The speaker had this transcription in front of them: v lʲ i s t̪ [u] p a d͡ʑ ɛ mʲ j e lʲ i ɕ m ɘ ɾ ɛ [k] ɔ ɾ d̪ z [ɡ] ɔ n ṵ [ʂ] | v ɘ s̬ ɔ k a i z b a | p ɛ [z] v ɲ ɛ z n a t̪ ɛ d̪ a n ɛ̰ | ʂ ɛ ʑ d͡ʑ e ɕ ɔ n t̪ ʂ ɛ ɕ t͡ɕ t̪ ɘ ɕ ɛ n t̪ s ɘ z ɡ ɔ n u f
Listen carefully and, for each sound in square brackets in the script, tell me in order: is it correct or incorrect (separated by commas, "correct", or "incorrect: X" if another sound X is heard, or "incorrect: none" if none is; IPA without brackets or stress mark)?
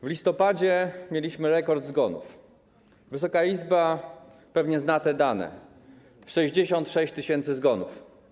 incorrect: ɔ, correct, correct, incorrect: f, incorrect: none